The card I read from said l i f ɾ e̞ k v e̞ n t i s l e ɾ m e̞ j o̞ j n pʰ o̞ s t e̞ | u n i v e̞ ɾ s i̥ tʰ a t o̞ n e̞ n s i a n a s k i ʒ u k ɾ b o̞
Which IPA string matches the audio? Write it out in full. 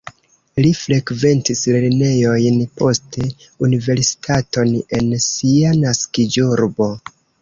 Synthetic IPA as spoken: l i f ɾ e̞ k v e̞ n t i s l e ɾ n e̞ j o̞ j n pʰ o̞ s t e̞ | u n i v e̞ ɾ s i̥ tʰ a t o̞ n e̞ n s i a n a s k i d͡ʒ u ɾ b o̞